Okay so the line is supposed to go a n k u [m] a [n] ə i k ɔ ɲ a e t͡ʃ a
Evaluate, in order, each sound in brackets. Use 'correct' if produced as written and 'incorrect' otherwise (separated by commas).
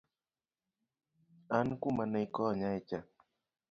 correct, correct